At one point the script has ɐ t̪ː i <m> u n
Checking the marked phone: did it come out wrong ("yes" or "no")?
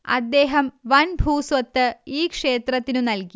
yes